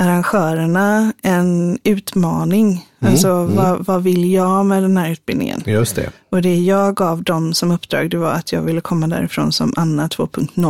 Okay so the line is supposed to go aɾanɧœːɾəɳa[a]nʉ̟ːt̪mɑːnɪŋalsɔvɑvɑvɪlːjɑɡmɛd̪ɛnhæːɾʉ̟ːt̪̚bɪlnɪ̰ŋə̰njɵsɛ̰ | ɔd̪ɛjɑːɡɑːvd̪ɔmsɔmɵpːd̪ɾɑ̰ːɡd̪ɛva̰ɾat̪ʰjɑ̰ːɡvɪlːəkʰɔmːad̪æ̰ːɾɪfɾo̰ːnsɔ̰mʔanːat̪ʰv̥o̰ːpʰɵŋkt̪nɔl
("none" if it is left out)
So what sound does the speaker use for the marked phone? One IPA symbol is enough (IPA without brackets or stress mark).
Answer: ɛ